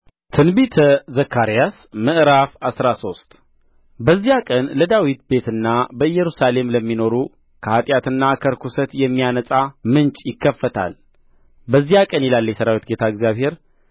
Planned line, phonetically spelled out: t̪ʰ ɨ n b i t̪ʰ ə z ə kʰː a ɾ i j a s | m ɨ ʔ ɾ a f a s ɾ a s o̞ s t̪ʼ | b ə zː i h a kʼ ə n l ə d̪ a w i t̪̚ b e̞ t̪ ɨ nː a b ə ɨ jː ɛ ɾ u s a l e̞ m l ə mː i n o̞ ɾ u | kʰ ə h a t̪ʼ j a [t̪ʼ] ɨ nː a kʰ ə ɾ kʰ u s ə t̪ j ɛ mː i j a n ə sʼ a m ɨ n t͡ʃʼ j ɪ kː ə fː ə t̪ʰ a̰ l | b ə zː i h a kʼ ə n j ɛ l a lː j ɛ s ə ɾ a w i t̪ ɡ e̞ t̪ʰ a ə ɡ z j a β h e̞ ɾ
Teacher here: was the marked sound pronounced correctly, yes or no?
no